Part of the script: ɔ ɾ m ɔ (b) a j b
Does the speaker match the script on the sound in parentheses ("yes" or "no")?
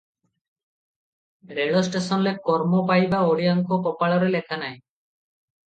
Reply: no